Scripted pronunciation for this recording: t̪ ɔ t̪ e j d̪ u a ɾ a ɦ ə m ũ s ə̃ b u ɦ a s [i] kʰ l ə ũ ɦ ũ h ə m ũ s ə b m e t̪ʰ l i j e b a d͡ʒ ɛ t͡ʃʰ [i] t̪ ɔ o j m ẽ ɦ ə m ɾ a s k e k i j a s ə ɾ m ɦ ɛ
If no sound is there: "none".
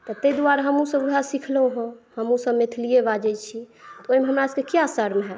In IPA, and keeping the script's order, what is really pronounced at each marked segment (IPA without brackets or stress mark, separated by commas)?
i, i